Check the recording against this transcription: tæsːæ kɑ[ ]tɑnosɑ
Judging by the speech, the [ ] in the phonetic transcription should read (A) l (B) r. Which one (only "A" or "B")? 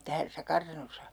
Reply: B